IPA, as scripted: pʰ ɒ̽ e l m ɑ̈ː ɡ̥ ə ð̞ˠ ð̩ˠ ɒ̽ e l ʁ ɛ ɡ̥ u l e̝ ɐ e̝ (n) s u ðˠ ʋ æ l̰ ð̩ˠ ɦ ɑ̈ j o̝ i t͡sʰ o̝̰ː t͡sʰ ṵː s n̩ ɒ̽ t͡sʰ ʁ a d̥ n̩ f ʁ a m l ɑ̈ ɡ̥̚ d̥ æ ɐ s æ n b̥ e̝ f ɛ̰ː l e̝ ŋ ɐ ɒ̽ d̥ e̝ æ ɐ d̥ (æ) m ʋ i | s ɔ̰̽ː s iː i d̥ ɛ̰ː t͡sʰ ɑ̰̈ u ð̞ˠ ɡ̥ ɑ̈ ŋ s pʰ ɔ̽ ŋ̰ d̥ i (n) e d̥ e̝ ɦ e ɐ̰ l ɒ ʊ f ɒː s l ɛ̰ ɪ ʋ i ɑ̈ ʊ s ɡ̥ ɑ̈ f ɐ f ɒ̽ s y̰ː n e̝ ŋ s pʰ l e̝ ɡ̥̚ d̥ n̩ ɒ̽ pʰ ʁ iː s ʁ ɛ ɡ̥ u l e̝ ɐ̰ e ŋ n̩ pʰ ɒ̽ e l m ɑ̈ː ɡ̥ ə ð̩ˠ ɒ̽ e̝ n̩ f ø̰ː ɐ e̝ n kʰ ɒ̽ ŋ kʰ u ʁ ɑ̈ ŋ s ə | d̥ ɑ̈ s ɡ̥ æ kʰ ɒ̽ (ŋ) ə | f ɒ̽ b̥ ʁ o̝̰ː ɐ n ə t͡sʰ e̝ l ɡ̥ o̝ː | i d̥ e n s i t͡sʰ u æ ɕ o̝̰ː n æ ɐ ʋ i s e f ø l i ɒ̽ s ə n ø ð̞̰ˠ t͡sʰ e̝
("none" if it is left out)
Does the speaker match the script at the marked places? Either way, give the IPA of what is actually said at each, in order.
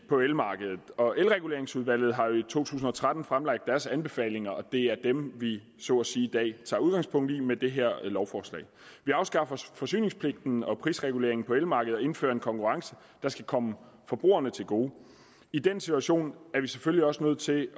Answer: ŋ, e, m, m

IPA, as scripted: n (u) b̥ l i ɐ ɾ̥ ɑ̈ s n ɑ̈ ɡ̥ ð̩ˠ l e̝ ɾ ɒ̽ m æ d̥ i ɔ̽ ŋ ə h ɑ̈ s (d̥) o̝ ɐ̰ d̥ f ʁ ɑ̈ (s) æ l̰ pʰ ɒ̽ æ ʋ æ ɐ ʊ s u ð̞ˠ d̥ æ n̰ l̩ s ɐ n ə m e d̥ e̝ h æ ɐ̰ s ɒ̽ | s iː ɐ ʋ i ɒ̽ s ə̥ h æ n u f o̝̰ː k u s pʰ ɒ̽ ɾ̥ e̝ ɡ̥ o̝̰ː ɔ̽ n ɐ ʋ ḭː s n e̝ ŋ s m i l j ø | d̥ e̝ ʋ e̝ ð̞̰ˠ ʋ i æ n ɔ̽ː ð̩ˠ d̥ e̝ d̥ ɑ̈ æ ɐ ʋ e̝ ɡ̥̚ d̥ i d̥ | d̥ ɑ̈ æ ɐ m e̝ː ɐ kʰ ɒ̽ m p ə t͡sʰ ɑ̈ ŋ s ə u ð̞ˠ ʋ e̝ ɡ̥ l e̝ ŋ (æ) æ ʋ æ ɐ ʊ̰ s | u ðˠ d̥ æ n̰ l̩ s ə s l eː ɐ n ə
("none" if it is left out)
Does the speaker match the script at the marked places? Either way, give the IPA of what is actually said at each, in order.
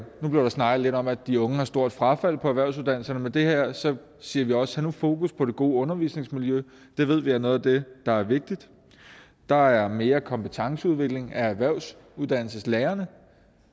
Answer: u, d̥, f, æ

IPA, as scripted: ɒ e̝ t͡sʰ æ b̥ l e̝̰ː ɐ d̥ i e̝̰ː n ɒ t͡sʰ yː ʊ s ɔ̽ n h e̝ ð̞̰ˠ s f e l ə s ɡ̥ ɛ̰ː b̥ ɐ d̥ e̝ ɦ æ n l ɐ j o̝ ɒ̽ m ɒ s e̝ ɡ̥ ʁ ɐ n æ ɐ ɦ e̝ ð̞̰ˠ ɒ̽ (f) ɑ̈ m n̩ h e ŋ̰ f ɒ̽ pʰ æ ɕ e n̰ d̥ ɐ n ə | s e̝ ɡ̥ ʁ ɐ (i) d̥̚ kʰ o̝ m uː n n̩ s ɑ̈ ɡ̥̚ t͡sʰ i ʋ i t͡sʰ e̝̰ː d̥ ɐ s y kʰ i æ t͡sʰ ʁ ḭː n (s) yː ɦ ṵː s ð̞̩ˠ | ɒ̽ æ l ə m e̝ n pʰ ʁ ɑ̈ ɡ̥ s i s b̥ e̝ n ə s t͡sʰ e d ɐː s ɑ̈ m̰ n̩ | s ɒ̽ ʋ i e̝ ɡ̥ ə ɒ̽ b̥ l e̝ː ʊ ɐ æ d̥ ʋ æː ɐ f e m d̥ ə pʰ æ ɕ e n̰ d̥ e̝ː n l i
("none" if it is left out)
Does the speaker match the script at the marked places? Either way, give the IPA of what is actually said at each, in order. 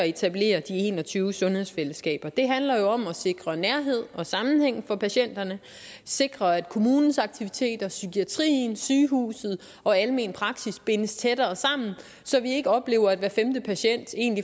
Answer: s, æ, s

